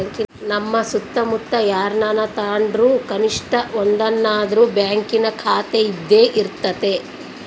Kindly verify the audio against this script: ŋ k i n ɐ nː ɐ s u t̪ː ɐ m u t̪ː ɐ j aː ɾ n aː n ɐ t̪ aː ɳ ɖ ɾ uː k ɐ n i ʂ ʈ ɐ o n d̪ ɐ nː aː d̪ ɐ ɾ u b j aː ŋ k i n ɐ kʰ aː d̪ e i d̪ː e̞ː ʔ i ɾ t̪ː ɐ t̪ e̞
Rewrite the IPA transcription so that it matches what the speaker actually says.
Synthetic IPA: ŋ k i n ɐ mː ɐ s u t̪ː ɐ m u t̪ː ɐ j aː ɾ n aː n ɐ t̪ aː ɳ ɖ ɾ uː k ɐ n i ʂ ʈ ɐ o n d̪ ɐ nː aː d̪ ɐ ɾ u b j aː ŋ k i n ɐ kʰ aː t̪ e i d̪ː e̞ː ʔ i ɾ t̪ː ɐ t̪ e̞